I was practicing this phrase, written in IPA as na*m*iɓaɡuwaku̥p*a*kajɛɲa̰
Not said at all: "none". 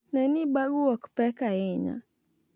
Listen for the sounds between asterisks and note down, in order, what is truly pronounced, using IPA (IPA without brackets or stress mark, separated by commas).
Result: n, ɛ